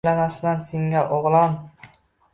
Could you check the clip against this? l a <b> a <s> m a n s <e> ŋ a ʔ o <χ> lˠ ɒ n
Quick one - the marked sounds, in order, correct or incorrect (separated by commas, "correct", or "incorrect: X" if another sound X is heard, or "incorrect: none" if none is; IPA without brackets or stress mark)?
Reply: incorrect: m, correct, correct, incorrect: ʁ